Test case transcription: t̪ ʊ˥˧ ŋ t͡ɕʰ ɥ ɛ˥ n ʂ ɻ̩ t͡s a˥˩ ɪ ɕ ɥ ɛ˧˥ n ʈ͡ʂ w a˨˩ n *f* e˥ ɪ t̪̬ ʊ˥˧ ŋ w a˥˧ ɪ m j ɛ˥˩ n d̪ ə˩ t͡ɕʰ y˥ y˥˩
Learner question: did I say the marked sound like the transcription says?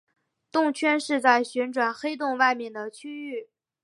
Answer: no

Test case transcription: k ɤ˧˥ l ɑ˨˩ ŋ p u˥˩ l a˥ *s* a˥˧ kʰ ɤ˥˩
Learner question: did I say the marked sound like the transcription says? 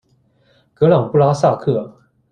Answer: yes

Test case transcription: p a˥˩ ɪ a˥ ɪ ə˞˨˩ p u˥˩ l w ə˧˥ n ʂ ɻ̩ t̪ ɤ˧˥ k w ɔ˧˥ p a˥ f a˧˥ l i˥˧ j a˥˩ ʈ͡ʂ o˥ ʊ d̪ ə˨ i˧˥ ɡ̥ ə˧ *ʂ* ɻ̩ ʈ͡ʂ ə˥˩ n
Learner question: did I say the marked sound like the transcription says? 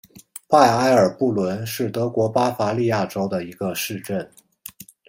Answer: yes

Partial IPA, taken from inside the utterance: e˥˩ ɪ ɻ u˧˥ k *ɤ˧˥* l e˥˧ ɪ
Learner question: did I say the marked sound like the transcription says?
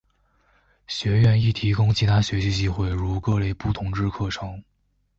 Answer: no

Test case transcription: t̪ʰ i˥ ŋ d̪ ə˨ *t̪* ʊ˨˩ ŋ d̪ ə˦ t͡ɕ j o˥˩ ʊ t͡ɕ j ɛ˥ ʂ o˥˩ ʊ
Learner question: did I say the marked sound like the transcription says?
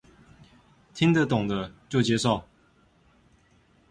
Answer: yes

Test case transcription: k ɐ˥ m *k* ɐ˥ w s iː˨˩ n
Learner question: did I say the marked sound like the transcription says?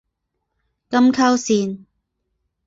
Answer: no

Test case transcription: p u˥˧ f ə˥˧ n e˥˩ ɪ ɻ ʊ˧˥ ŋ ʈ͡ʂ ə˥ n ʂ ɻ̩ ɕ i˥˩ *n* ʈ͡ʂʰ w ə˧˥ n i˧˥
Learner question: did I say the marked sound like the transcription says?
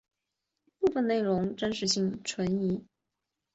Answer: no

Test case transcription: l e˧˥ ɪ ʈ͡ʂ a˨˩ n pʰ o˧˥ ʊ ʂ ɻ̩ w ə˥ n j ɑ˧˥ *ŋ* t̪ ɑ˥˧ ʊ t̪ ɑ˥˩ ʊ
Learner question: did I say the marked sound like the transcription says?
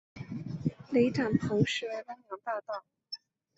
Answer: yes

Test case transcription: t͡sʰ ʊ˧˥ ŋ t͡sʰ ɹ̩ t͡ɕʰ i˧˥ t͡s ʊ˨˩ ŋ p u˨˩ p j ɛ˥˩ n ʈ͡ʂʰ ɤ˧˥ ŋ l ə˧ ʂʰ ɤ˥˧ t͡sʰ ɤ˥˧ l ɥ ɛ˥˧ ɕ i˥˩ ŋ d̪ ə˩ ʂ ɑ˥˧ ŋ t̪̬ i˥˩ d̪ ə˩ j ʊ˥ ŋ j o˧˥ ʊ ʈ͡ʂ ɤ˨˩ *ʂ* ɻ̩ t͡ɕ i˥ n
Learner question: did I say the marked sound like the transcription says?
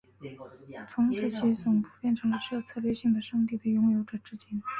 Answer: no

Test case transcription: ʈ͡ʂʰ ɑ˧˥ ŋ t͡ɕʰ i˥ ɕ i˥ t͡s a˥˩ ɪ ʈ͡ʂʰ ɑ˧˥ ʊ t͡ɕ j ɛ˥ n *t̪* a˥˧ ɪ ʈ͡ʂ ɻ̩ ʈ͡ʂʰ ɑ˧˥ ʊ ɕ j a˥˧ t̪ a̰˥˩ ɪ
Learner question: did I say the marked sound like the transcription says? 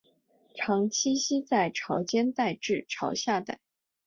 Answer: yes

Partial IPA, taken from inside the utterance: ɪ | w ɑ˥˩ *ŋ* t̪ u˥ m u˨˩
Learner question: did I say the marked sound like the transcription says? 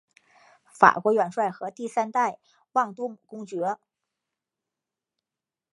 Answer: yes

